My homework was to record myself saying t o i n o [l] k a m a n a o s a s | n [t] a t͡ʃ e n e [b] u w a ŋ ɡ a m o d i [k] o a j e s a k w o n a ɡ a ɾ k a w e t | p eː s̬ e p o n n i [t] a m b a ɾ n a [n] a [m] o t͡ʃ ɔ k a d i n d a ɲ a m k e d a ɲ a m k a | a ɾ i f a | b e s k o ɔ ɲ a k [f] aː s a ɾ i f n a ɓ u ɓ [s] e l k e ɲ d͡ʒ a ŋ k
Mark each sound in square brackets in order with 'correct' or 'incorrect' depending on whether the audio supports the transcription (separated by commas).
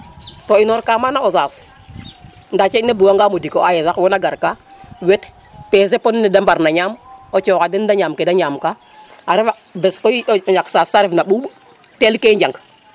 incorrect, incorrect, correct, correct, incorrect, incorrect, correct, incorrect, incorrect